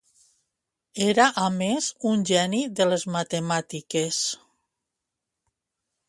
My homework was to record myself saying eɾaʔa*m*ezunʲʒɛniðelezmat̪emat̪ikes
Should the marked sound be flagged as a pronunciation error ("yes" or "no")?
no